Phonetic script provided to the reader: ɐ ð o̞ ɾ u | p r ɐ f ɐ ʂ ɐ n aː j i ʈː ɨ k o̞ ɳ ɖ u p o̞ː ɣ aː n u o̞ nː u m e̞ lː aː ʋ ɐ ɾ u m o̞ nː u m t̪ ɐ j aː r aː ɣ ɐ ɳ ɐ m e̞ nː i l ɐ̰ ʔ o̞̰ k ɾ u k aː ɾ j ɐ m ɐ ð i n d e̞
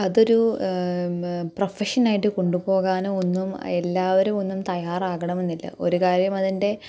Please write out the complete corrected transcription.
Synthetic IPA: ɐ ð o̞ ɾ u | p r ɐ f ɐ ʂ ɐ n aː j i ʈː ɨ k o̞ ɳ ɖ u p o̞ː ɣ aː n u o̞ nː u m e̞ lː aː ʋ ɐ ɾ u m o̞ nː u m t̪ ɐ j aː r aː ɣ ɐ ɳ ɐ m e̞ nː i lː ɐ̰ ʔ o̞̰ ɾ u k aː ɾ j ɐ m ɐ ð i n d e̞